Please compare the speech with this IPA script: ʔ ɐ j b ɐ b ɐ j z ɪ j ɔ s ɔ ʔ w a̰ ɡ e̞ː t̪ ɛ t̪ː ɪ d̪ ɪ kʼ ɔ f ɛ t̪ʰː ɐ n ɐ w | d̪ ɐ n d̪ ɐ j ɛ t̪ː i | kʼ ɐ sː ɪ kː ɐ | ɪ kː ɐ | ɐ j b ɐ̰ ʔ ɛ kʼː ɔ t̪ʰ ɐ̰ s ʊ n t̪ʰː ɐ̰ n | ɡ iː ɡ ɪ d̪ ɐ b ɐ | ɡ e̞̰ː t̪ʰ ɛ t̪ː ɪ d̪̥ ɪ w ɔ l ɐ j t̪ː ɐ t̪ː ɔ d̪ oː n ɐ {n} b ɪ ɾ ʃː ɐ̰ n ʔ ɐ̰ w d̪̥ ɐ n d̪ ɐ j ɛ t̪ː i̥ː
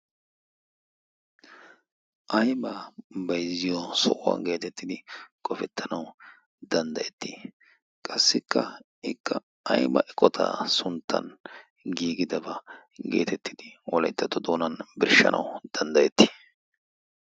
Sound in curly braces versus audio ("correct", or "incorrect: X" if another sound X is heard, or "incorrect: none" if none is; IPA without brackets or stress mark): correct